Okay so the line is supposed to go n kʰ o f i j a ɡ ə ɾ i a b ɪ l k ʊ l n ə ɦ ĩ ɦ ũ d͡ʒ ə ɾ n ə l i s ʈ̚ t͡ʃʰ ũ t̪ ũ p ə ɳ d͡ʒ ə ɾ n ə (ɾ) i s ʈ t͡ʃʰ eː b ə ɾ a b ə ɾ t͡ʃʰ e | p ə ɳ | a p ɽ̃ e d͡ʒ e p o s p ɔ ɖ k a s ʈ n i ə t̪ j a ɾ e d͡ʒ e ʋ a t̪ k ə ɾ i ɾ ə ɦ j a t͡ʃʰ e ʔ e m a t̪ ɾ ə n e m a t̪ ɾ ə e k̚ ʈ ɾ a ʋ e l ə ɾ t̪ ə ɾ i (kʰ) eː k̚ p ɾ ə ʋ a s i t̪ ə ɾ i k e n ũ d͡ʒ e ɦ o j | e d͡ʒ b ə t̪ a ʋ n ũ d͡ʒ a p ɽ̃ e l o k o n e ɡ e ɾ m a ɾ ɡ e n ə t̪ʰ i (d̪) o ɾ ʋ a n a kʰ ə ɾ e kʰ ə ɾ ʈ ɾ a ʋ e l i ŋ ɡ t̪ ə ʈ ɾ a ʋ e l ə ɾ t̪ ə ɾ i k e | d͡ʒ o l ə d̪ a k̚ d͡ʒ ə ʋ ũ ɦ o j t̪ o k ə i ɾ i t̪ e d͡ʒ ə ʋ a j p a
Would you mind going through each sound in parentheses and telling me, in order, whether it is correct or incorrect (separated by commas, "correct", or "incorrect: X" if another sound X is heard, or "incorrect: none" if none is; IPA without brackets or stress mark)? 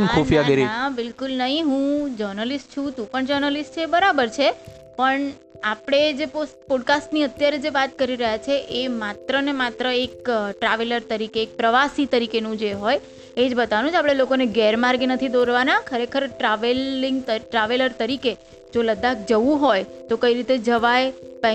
incorrect: l, incorrect: k, correct